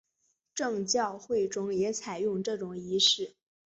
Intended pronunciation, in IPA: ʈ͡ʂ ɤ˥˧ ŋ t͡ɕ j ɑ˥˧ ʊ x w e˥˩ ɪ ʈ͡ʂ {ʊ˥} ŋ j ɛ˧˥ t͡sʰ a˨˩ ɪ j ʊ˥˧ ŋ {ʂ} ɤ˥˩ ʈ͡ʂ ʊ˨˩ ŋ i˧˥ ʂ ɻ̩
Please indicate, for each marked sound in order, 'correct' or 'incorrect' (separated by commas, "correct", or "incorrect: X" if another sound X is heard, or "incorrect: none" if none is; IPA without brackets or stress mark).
correct, incorrect: ʈ͡ʂ